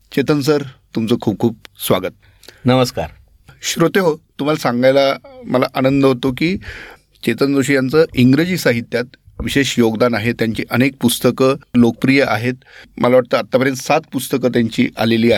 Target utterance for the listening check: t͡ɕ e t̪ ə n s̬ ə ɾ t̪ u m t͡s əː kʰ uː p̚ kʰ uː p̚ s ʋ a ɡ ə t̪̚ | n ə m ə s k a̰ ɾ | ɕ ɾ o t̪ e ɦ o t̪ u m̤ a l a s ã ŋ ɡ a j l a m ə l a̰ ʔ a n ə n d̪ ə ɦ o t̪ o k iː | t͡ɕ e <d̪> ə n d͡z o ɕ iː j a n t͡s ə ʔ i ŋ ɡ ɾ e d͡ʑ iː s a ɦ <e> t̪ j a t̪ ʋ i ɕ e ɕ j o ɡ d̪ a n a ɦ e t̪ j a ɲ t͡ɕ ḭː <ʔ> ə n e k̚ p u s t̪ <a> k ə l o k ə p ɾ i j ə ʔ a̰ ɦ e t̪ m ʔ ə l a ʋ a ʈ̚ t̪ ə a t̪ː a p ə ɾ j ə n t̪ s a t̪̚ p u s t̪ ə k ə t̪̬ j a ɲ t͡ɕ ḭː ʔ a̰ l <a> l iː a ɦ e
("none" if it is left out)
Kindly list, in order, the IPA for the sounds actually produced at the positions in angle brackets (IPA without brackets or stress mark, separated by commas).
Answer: t̪, i, ʔ, ə, e